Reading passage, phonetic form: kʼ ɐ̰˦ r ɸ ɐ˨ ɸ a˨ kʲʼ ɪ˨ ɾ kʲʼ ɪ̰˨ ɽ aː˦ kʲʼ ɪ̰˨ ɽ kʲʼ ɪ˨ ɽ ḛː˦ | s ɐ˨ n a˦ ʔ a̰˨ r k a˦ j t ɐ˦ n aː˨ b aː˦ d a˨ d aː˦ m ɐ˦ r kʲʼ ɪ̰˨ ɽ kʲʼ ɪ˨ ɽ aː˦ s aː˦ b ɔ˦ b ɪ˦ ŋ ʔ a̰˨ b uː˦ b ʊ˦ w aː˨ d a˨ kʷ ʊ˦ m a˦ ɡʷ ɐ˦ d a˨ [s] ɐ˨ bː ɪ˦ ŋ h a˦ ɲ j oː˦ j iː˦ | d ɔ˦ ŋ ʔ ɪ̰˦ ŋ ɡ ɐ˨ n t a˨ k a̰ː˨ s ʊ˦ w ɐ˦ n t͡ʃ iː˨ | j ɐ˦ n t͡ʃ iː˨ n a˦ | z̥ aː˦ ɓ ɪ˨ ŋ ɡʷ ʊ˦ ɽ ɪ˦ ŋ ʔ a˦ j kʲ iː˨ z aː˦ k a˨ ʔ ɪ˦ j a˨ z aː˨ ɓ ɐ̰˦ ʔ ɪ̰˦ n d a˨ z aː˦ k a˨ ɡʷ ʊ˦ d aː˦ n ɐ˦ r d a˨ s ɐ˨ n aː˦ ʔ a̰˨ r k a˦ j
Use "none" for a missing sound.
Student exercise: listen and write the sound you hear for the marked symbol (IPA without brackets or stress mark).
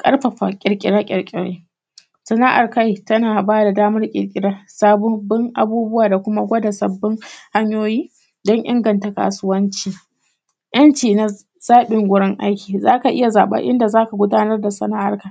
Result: s